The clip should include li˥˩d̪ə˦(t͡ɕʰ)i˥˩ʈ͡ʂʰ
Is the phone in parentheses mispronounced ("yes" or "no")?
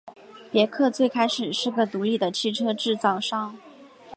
no